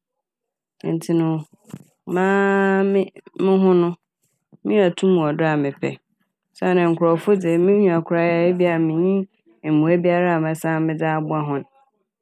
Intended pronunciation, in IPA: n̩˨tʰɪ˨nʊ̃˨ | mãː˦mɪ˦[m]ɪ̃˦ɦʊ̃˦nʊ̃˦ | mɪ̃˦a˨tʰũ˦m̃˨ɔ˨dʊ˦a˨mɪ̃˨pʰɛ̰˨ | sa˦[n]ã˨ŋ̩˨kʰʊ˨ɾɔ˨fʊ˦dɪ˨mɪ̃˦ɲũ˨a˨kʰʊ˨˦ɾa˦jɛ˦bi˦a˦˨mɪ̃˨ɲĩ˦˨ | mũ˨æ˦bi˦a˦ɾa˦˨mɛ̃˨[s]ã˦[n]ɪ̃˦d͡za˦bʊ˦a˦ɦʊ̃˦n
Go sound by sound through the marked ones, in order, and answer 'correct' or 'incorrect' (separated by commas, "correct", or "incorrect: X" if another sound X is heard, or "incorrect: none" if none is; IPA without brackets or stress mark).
correct, correct, correct, incorrect: m